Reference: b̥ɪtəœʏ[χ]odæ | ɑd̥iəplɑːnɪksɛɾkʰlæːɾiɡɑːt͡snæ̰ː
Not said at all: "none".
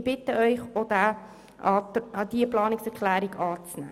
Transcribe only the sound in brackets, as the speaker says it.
χ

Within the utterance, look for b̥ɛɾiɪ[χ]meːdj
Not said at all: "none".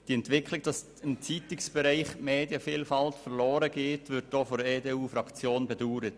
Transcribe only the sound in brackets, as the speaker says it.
χ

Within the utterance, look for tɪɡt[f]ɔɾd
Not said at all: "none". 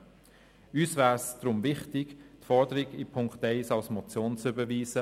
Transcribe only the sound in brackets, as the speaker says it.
f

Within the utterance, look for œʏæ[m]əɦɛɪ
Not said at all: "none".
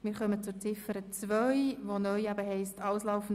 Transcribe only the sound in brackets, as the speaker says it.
b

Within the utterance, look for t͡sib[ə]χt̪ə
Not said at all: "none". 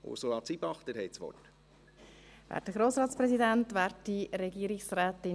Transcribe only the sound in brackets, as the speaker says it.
ɑ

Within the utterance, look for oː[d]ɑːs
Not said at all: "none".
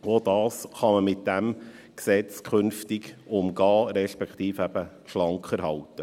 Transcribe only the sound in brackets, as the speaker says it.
d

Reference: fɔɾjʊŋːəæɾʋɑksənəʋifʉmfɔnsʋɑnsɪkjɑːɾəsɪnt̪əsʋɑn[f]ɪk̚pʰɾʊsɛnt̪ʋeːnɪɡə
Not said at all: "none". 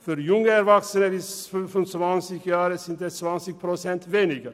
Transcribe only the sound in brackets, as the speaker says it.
s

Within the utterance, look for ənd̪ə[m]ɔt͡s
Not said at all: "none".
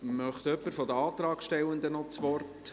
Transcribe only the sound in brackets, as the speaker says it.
n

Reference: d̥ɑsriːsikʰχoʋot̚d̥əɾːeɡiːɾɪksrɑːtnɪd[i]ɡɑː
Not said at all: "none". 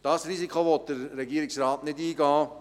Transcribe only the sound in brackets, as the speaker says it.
iː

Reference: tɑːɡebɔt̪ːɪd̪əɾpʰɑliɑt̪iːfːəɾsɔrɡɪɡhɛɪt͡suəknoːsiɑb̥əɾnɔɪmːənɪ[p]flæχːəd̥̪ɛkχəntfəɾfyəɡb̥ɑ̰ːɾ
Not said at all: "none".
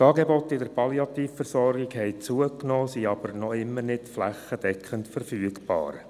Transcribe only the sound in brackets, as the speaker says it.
t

